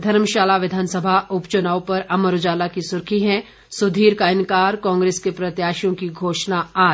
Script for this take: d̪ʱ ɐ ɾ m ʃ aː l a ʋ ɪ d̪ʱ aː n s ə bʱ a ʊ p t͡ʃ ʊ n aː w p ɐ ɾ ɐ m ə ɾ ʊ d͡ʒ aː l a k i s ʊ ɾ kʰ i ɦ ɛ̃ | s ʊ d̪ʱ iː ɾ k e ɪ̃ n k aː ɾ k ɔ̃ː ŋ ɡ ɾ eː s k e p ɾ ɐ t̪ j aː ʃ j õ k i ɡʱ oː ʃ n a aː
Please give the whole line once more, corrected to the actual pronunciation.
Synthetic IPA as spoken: d̪ʱ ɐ ɾ m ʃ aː l a ʋ ɪ d̪ʱ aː n s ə bʱ a ʊ p t͡ʃ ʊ n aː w p ɐ ɾ ɐ m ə ɾ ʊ d͡ʒ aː l a k i s ʊ ɾ kʰ i ɦ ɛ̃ | s ʊ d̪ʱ iː ɾ k a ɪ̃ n k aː ɾ k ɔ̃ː ŋ ɡ ɾ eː s k e p ɾ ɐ t̪ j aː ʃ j õ k i ɡʱ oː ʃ n a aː